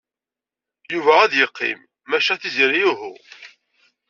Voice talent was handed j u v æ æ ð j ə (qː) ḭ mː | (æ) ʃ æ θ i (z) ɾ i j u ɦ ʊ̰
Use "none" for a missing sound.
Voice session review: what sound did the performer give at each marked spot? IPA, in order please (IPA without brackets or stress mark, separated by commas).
qː, æ, z